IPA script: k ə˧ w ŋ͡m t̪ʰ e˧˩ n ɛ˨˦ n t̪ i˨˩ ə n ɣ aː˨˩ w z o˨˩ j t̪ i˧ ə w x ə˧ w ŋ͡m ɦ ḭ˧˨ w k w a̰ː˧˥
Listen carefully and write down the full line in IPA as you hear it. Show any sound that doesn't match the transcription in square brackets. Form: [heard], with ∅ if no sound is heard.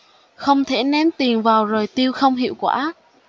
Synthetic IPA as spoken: [x] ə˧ w ŋ͡m t̪ʰ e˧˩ n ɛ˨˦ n t̪ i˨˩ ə n [v] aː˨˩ w z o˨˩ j t̪ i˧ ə w x ə˧ w ŋ͡m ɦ ḭ˧˨ w k w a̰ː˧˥